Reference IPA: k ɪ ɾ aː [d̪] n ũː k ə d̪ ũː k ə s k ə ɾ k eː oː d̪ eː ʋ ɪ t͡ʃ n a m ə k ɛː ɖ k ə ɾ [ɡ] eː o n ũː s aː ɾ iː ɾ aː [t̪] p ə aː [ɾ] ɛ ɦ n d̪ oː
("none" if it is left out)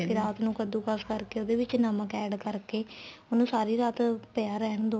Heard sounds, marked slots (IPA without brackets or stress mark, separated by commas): t̪, k, t̪, ɾ